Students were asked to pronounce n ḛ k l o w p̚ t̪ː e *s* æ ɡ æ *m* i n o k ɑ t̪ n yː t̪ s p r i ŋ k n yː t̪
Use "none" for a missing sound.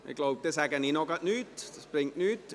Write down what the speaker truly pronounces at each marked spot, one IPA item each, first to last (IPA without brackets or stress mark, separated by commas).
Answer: s, n